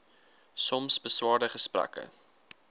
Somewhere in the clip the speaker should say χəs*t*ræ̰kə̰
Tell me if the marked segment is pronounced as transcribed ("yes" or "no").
no